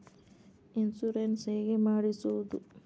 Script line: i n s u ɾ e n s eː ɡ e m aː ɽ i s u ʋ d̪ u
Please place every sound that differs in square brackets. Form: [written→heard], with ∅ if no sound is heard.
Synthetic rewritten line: i n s u ɾ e n s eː ɡ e m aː ɽ i s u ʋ d̪ u